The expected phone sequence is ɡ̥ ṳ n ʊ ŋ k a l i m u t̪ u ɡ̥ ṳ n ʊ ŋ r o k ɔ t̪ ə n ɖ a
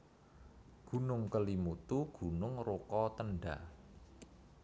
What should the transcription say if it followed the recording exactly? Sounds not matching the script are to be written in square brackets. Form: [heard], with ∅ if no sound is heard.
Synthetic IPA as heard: ɡ̥ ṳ n ʊ ŋ k [ə] l i m u t̪ u ɡ̥ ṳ n ʊ ŋ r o k ɔ t̪ ə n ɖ a